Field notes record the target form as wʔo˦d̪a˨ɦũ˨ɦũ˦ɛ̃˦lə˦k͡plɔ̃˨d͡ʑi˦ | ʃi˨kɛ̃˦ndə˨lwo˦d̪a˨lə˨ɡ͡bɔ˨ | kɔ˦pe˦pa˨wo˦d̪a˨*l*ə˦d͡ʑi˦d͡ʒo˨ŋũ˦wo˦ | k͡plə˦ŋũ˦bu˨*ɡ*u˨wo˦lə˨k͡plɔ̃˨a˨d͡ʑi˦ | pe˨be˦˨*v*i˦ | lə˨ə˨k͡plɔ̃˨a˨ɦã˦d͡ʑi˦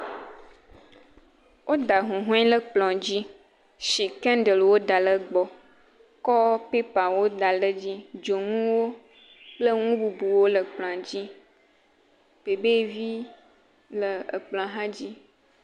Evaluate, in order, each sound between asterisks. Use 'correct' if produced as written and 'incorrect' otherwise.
correct, incorrect: b, correct

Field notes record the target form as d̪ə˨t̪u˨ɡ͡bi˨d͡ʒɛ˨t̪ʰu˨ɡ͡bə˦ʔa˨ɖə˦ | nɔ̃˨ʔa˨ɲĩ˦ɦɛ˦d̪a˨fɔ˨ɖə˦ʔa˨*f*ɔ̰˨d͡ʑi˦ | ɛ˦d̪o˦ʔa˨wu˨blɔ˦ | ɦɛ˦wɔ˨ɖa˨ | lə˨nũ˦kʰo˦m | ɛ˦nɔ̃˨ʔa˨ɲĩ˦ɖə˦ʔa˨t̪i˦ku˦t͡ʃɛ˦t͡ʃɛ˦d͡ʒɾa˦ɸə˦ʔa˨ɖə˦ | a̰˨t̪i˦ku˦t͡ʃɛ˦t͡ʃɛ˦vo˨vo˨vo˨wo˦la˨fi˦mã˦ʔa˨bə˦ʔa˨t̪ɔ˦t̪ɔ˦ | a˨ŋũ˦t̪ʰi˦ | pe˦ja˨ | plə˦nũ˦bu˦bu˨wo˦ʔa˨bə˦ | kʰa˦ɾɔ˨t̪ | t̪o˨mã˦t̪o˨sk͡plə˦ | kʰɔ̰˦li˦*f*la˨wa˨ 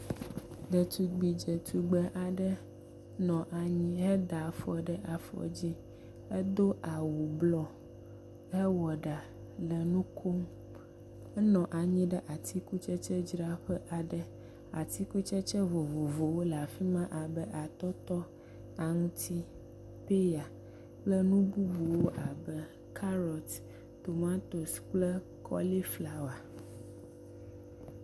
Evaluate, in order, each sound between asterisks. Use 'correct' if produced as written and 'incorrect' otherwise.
correct, correct

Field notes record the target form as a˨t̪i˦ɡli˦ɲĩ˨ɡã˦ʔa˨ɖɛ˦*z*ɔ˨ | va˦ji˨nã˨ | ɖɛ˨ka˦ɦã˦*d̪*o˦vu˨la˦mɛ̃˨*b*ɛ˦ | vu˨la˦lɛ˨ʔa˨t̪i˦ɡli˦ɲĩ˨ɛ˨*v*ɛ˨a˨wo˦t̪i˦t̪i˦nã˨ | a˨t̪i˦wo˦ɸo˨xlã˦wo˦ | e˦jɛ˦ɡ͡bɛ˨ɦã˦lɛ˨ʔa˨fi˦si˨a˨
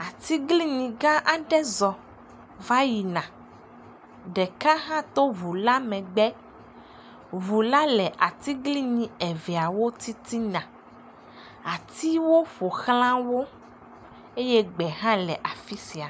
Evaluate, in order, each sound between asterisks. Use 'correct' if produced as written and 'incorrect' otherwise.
correct, incorrect: t̪, incorrect: ɡ͡b, correct

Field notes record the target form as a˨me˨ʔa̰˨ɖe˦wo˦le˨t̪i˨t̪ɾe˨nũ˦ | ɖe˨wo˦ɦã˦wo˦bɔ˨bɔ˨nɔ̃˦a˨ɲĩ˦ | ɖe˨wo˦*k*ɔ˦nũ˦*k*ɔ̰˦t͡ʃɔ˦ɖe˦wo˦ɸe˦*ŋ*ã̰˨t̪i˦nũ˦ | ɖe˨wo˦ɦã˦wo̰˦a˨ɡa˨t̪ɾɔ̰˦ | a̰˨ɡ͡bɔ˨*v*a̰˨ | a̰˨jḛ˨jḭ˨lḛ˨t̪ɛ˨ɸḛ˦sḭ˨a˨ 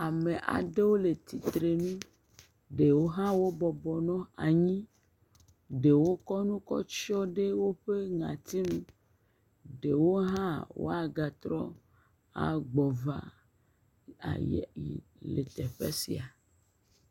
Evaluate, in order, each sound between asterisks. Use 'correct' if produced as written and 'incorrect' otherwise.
correct, correct, correct, correct

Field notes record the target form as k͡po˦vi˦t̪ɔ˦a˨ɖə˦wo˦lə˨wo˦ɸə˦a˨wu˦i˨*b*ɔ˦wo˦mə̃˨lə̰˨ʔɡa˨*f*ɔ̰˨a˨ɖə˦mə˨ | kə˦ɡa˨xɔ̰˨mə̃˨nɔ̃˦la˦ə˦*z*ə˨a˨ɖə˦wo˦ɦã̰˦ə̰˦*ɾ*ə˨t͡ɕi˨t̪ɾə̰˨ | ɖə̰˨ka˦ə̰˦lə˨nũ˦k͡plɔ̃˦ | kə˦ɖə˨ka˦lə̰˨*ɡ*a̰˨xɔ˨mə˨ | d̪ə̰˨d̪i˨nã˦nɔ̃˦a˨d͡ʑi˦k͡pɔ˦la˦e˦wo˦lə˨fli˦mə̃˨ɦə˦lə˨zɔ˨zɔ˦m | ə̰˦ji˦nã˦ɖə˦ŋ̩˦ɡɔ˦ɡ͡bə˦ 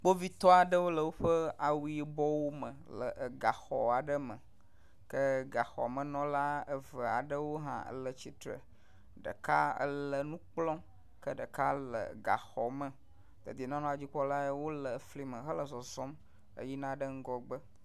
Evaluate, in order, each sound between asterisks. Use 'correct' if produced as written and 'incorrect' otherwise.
correct, incorrect: x, incorrect: v, incorrect: l, correct

